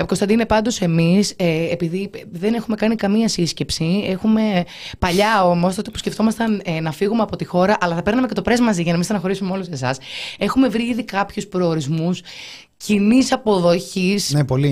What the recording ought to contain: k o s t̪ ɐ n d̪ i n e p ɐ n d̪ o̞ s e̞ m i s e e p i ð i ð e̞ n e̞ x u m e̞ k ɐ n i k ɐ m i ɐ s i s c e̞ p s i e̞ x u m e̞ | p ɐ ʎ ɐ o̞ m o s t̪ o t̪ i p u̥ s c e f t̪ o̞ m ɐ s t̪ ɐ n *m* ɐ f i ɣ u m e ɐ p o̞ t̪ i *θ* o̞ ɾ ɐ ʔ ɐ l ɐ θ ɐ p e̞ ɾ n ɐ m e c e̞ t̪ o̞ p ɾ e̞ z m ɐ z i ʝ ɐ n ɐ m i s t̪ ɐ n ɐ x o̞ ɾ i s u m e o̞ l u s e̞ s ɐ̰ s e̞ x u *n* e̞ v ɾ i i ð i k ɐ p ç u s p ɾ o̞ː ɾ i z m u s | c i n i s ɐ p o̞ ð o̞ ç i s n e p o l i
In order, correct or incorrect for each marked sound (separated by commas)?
incorrect, incorrect, incorrect